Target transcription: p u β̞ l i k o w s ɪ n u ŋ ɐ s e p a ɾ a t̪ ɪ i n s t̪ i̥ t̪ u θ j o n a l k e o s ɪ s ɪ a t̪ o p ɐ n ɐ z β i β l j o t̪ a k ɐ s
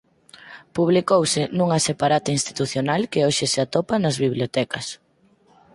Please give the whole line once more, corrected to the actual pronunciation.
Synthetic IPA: p u β̞ l i k o w s ɪ n u ŋ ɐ s e p a ɾ a t̪ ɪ i n s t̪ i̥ t̪ u θ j o n a l k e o ʃ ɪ s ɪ a t̪ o p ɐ n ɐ z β i β l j o t̪ ɛ k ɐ s